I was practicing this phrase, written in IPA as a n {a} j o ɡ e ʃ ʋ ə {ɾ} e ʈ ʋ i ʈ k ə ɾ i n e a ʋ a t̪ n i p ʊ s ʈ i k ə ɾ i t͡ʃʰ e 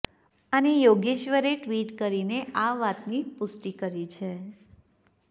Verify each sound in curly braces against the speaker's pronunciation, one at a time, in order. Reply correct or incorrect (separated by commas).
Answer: incorrect, correct